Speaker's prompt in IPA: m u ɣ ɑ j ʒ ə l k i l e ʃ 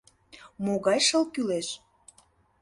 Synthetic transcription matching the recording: m o ɣ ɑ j ʃ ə l k y l e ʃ